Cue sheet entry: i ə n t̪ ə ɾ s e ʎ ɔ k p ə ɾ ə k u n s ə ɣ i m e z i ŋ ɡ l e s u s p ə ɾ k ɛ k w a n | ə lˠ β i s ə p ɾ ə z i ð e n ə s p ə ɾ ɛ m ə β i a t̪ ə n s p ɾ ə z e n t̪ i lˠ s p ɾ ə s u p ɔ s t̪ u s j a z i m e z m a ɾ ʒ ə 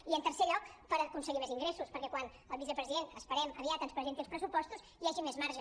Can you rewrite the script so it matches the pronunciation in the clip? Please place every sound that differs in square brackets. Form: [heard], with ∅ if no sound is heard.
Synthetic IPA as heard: i ə n t̪ ə ɾ s e ʎ ɔ k p ə ɾ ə k u n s ə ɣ i m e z i ŋ ɡ [ɾ] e s u s p ə ɾ k ɛ k w a n | ə lˠ β i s ə p ɾ ə z i ð e n ə s p ə ɾ ɛ m ə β i a t̪ ə n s p ɾ ə z e n t̪ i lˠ s p ɾ ə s u p ɔ s t̪ u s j a [ʒ] i m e z m a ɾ ʒ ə